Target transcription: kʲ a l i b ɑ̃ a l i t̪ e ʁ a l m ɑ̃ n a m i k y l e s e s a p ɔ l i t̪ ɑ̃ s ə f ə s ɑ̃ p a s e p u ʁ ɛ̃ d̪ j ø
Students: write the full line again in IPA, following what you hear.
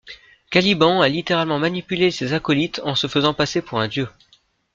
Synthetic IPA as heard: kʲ a l i b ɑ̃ a l i t̪ e ʁ a l m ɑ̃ m a n i p y l e s e z a k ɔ l i t̪ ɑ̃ s ə f ə z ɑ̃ p a s e p u ʁ ɛ̃ d̪ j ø